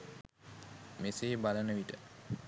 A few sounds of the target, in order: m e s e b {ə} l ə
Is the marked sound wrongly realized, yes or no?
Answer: yes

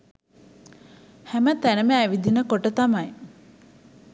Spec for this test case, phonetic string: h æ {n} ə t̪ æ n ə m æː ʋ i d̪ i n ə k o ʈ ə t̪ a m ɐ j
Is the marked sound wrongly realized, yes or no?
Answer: yes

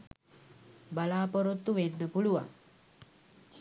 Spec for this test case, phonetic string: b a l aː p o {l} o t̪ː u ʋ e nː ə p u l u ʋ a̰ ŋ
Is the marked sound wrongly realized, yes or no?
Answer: yes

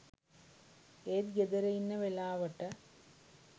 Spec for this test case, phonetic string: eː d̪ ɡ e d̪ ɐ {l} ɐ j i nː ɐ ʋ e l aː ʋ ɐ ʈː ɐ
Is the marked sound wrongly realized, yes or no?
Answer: yes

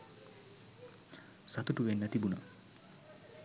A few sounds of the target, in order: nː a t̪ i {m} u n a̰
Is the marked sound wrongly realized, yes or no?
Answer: yes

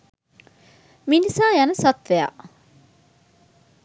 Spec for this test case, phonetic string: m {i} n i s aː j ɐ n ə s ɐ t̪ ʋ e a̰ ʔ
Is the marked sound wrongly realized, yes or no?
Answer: no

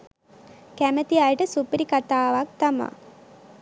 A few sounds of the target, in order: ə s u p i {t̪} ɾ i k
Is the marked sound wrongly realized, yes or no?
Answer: yes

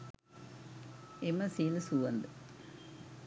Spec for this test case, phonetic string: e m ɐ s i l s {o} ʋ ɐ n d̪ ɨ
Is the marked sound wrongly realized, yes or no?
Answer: yes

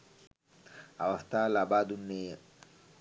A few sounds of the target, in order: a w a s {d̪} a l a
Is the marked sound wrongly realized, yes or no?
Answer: yes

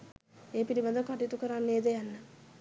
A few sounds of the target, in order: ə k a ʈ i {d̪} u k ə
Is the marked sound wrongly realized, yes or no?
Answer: yes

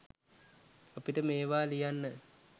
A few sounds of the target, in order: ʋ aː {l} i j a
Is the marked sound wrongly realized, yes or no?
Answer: no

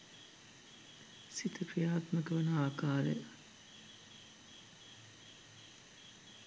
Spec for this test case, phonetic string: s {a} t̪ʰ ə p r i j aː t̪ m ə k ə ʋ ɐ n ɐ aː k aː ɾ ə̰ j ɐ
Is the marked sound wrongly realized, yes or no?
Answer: yes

